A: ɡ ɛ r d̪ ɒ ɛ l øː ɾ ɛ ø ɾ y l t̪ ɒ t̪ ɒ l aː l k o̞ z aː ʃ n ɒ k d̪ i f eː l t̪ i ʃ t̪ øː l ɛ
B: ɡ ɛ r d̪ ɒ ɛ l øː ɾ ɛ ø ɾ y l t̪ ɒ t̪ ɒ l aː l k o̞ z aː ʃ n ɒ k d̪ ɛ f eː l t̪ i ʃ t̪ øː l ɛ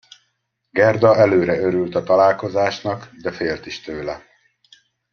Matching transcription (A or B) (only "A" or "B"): B